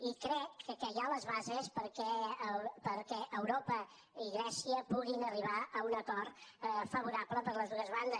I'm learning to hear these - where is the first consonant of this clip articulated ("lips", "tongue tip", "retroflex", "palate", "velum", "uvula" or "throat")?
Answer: velum